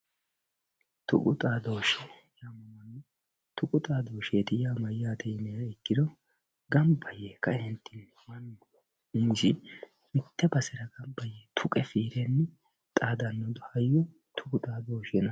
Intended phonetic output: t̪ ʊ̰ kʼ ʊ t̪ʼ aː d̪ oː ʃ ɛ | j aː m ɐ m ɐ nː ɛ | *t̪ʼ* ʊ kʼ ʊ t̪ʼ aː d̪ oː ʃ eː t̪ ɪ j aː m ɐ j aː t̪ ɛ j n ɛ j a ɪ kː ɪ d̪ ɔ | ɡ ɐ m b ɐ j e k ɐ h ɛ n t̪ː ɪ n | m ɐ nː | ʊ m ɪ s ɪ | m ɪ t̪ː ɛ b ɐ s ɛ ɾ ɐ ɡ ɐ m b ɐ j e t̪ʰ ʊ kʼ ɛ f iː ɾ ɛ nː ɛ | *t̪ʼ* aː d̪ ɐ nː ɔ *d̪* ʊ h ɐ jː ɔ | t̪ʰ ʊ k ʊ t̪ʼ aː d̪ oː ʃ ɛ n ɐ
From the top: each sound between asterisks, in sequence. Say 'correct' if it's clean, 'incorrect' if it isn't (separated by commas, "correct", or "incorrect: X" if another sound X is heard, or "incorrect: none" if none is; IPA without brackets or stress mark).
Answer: incorrect: t̪, correct, correct